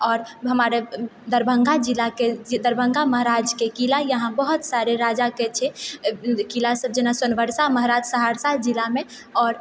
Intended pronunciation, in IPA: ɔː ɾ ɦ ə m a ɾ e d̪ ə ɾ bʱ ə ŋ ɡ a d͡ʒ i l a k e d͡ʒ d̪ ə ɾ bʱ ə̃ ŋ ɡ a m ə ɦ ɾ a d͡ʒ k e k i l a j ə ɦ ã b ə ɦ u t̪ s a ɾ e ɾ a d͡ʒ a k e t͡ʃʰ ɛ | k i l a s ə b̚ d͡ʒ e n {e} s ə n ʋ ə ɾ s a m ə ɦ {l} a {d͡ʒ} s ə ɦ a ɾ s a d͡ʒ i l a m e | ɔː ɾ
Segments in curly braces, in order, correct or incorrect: incorrect: a, incorrect: ɾ, correct

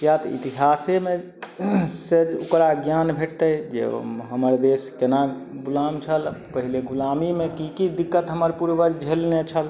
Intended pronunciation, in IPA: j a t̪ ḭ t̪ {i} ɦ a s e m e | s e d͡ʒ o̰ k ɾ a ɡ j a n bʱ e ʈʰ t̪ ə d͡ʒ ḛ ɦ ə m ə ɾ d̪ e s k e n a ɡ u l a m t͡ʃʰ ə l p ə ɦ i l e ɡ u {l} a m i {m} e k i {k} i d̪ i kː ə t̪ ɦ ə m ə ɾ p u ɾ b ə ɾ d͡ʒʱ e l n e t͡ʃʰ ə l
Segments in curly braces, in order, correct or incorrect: correct, correct, correct, correct

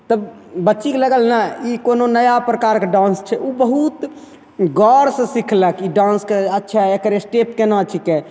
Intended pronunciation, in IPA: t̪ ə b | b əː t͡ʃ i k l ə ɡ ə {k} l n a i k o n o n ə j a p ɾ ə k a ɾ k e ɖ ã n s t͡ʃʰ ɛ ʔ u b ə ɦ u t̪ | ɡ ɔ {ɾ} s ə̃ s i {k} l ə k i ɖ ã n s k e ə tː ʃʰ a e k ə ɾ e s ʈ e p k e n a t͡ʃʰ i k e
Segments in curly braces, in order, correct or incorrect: incorrect: none, correct, incorrect: kʰ

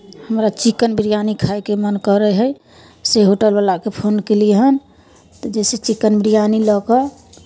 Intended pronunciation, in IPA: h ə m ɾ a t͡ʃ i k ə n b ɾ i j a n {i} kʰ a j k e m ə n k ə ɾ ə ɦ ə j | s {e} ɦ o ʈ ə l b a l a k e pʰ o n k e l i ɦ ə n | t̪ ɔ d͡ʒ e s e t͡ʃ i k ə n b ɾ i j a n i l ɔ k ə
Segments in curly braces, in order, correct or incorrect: correct, correct

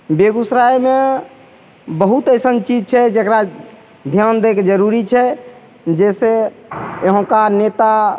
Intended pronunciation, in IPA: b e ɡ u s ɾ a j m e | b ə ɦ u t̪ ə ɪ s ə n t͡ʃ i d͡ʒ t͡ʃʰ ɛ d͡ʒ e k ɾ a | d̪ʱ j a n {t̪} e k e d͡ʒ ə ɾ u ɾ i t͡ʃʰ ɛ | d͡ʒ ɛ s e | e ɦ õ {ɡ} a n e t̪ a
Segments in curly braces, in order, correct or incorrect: incorrect: d̪, incorrect: k

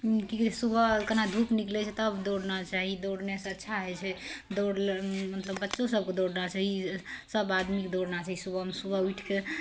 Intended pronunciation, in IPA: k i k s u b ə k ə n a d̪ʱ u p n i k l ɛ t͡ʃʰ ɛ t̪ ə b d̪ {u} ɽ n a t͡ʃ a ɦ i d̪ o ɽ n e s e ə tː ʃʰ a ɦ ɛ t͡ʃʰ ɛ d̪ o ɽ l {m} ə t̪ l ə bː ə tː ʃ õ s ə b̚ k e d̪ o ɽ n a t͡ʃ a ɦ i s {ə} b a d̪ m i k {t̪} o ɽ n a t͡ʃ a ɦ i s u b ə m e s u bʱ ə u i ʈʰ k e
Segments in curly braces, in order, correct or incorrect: incorrect: o, correct, correct, incorrect: d̪

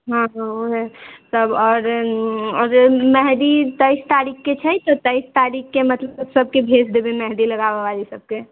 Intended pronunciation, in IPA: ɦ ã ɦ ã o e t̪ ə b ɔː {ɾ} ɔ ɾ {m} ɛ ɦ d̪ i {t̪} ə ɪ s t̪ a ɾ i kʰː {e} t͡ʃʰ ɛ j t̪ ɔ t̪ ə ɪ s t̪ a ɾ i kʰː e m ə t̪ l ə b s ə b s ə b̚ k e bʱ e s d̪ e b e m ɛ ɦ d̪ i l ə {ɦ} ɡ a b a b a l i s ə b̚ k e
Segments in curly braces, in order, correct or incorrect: correct, correct, correct, correct, incorrect: none

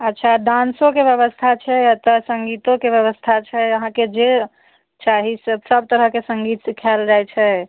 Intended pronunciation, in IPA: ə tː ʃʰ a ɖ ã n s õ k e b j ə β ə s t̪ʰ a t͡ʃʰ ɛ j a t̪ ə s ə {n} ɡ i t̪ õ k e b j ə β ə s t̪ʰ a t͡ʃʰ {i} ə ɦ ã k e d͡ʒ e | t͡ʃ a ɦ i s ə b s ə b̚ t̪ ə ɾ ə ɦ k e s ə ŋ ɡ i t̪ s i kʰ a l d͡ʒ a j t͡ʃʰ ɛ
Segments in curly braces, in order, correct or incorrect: incorrect: ŋ, incorrect: ɛ

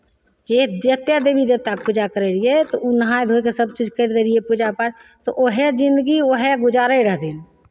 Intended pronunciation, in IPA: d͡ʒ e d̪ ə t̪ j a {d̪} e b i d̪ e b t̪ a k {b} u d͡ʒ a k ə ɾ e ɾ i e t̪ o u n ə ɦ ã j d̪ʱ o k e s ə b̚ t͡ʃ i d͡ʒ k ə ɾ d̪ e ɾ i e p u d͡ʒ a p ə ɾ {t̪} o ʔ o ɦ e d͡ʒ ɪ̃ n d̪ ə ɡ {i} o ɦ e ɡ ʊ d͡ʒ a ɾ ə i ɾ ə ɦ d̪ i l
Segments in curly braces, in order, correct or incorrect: correct, incorrect: p, correct, correct

